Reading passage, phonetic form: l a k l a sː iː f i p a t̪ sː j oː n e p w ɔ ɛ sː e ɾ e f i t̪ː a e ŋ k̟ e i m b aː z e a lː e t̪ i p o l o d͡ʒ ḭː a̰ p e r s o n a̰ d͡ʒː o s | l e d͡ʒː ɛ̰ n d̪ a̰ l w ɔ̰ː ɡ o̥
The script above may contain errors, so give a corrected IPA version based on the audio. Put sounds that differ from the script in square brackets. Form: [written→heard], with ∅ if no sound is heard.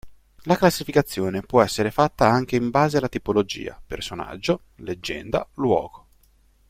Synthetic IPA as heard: l a k l a sː [iː→i] f i [p→k] a t̪ sː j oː n e p w ɔ ɛ sː e ɾ e f [i→a] t̪ː a [e→a] ŋ k̟ e i m b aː z e a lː [e→a] t̪ i p o l o d͡ʒ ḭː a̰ p e r s o n a̰ d͡ʒː o [s→∅] | l e d͡ʒː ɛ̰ n d̪ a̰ l w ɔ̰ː ɡ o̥